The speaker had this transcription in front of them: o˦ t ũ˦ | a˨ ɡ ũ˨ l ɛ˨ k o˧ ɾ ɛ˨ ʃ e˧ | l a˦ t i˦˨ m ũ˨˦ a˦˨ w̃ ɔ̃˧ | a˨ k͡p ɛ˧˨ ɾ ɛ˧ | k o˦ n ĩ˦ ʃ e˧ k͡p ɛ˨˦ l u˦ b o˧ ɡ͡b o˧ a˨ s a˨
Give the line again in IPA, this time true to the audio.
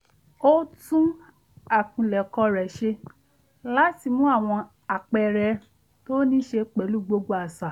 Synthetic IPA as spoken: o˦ t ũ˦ | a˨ k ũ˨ l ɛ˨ k ɔ˧ ɾ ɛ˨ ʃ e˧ | l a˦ t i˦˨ m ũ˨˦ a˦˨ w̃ ɔ̃˧ | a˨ k͡p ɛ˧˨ ɾ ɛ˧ | t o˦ n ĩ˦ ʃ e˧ k͡p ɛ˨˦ l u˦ ɡ͡b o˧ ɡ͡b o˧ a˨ s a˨